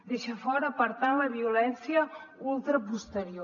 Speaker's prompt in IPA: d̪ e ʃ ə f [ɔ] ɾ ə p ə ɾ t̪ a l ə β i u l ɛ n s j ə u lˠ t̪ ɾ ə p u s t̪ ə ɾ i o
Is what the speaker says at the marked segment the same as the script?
yes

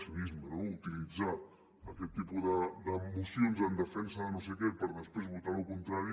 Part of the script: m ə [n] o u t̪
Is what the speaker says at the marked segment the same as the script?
yes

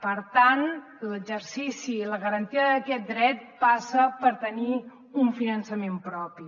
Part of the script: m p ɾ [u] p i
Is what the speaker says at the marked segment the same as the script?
no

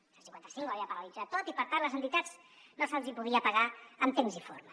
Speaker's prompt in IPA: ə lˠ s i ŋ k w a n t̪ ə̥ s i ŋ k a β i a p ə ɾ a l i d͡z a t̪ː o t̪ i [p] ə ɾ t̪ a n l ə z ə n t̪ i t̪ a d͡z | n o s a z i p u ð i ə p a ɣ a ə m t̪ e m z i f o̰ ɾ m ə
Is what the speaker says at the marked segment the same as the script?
yes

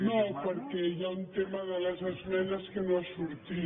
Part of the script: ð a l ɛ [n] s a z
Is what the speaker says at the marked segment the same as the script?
no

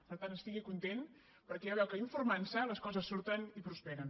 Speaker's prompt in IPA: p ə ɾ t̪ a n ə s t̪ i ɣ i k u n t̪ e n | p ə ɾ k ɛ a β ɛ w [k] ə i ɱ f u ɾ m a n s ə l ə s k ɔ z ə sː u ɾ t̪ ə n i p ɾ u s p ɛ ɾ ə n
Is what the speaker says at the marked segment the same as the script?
yes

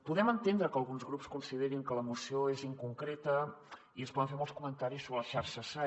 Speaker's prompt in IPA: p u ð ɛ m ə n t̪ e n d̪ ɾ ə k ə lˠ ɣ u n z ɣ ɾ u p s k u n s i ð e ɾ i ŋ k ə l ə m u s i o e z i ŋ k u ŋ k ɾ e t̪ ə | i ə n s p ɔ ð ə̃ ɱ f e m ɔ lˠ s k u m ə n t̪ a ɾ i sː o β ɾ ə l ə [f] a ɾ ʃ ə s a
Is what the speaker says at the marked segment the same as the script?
no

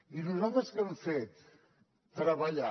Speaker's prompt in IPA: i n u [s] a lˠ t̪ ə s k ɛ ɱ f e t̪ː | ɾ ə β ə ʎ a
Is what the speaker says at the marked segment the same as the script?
no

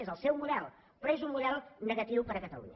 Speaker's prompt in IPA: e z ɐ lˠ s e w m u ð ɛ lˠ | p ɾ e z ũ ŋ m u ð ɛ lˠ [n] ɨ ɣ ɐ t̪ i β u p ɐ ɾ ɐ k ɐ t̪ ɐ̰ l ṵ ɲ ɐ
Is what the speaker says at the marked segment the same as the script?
yes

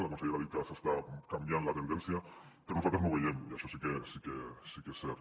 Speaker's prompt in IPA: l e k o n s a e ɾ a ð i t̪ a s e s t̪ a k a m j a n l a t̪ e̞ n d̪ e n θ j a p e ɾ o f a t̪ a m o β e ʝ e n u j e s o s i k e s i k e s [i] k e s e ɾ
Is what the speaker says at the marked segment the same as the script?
yes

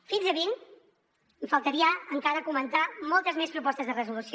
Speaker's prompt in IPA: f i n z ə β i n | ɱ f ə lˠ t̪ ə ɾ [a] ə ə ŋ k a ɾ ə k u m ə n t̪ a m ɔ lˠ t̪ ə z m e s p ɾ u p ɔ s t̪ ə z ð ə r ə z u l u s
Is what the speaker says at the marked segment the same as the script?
no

